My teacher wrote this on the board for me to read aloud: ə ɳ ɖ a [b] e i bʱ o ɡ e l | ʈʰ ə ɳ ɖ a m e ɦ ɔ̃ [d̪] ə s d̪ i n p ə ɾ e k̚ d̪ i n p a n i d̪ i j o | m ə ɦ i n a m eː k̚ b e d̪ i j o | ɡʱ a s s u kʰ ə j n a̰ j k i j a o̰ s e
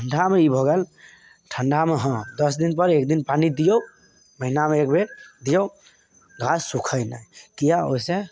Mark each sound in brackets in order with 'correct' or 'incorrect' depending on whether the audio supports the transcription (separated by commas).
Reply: incorrect, correct